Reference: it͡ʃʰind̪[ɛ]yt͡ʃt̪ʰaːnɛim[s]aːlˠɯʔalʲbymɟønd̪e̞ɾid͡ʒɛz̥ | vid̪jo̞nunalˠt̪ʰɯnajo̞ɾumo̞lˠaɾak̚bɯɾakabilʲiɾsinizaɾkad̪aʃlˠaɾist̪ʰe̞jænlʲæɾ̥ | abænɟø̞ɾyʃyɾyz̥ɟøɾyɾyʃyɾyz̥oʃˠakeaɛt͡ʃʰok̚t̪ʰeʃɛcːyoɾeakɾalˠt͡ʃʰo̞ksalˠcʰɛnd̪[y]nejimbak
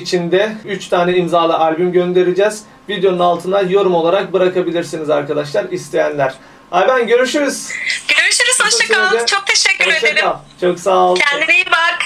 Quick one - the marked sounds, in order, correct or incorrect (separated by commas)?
correct, incorrect, incorrect